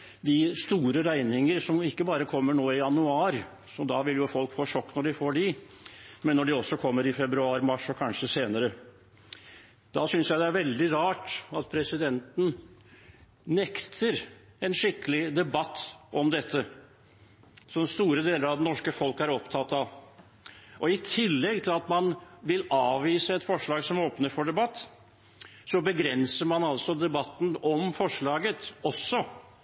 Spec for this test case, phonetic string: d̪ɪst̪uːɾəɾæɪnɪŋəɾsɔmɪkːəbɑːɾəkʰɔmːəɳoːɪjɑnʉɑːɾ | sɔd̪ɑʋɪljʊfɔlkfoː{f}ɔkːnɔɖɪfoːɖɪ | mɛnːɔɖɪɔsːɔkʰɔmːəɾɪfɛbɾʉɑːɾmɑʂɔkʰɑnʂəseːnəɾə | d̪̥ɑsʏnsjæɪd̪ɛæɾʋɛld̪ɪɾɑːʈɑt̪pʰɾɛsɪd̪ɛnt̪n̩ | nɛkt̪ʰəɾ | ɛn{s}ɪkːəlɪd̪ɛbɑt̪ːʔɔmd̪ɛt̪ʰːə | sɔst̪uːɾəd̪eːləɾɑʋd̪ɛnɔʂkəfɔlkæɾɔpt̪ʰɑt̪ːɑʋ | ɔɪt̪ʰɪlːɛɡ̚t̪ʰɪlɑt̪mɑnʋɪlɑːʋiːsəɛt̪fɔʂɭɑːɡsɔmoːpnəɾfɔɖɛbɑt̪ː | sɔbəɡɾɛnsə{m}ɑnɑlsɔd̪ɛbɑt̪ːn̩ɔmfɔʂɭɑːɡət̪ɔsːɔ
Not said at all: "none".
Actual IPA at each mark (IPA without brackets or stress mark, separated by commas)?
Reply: ʂ, ʂ, m